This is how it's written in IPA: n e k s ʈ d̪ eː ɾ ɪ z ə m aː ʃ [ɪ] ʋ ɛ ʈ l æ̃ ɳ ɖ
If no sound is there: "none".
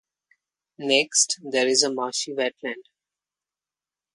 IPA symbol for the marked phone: i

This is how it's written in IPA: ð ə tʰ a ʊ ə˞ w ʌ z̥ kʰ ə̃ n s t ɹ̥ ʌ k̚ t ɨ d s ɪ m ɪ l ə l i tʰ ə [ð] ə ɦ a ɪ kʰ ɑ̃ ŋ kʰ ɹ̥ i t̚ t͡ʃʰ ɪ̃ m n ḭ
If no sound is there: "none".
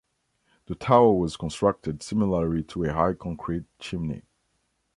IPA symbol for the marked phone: none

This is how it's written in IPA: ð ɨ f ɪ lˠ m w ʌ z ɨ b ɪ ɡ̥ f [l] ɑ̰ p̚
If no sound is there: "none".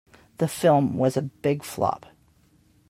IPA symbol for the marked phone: l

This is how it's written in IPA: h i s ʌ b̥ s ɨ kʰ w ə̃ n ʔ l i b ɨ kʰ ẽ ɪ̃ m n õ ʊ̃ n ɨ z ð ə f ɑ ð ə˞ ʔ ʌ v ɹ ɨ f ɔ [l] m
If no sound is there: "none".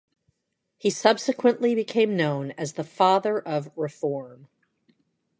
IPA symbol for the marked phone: ɹ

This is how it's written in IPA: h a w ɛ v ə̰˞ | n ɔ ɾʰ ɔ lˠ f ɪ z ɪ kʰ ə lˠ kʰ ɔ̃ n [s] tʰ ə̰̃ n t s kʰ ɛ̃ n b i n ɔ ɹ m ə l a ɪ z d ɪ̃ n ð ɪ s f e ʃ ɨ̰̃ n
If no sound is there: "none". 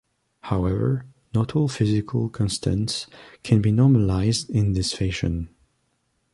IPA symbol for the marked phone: s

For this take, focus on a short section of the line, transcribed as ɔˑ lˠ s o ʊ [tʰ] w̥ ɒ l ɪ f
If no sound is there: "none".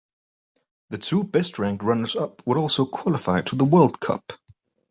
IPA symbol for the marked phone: kʰ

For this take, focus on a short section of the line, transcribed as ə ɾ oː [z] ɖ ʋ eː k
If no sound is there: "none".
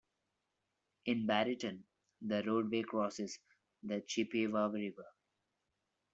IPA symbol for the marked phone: none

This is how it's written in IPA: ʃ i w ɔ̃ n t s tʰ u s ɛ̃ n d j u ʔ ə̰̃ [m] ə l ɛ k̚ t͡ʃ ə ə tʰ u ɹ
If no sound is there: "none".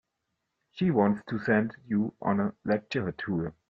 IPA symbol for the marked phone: n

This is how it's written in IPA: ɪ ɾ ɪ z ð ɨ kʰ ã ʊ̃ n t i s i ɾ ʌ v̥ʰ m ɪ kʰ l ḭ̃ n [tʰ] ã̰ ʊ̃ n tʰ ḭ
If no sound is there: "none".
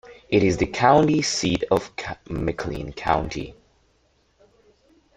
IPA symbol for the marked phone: kʰ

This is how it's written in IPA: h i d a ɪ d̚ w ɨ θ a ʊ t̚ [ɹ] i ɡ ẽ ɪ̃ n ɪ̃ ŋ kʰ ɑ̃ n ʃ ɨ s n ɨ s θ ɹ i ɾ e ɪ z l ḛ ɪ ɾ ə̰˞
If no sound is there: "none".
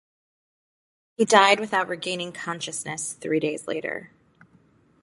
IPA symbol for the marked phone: ɹ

